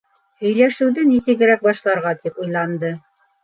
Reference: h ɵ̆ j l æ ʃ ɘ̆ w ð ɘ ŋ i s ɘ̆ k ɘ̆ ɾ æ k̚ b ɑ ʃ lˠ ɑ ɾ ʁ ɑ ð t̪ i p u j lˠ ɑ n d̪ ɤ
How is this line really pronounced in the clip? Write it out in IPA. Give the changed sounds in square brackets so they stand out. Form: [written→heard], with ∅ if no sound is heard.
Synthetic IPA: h ɵ̆ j l æ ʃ ɘ̆ w ð ɘ [ŋ→n] i s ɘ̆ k ɘ̆ ɾ æ k̚ b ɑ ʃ lˠ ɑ ɾ ʁ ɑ [ð→∅] t̪ i p u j lˠ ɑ n d̪ ɤ

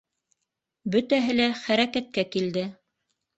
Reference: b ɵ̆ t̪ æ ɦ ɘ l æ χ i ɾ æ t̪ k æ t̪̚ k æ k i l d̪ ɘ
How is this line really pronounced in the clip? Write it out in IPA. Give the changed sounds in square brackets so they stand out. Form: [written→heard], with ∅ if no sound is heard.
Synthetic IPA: b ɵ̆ t̪ æ ɦ ɘ l æ χ [i→æ] ɾ æ [t̪→∅] k æ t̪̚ k æ k i l d̪ ɘ

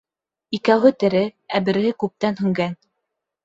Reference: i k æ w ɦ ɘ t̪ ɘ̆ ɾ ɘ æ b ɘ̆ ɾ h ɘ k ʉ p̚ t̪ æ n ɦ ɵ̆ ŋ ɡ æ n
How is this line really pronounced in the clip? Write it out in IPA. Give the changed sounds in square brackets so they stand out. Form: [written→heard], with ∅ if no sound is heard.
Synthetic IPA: i k æ w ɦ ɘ t̪ ɘ̆ ɾ ɘ æ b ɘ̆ ɾ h ɘ k ʉ p̚ t̪ æ n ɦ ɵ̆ ŋ ɡ æ n

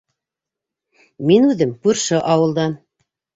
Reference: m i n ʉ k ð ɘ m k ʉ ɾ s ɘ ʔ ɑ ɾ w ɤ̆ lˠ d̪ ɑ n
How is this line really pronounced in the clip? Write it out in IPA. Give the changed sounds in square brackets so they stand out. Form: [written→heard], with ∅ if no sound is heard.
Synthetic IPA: m i n ʉ [k→∅] ð ɘ m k ʉ ɾ [s→ʃ] ɘ ʔ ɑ [ɾ→∅] w ɤ̆ lˠ d̪ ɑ n

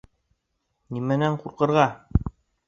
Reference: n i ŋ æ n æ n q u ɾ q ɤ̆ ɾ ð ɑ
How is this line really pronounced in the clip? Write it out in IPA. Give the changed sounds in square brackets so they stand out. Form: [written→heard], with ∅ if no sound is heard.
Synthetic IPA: n i [ŋ→m] æ n æ [n→ɴ] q u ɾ q ɤ̆ ɾ [ð→ʁ] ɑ

